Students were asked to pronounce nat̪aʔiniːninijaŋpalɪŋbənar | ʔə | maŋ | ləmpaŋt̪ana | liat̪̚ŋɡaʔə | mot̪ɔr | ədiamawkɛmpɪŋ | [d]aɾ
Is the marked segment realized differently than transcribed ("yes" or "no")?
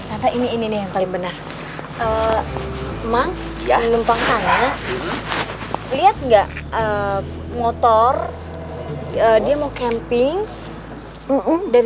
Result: no